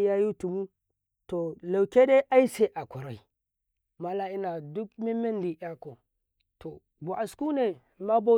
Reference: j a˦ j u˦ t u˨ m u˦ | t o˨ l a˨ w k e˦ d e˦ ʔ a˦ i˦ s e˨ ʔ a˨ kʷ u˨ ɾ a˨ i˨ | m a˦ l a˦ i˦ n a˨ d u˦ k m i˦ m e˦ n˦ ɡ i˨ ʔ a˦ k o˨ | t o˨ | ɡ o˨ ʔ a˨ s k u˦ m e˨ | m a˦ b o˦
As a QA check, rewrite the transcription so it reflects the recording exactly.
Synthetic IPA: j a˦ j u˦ t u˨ m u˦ | t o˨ l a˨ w k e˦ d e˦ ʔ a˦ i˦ s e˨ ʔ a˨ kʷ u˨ ɾ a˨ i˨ | m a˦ l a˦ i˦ n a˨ d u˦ k m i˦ m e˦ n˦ d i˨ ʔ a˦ k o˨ | t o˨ | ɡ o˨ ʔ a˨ s k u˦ n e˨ | m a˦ b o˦